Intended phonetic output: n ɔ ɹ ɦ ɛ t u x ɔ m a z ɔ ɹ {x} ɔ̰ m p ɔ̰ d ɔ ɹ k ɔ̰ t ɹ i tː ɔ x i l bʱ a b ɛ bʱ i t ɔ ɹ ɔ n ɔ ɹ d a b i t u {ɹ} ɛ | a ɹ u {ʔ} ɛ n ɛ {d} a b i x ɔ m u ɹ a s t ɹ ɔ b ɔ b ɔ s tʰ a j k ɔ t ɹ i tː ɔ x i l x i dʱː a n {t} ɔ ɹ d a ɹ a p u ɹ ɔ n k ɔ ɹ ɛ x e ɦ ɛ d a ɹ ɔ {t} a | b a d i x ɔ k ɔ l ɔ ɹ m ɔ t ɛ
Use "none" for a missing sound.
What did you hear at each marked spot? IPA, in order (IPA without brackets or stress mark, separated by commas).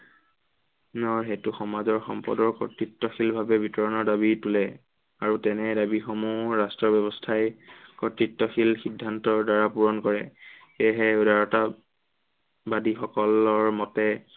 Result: x, l, t, d, t, t